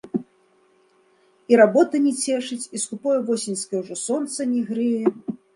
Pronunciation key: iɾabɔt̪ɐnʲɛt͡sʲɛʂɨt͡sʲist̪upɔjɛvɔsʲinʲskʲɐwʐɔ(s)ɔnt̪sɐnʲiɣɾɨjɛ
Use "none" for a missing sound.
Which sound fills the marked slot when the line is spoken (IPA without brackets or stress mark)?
s